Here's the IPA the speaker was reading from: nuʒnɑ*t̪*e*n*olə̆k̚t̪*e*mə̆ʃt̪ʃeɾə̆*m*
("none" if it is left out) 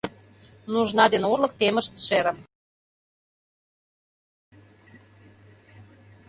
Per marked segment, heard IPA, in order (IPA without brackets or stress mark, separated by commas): d̪, n, e, m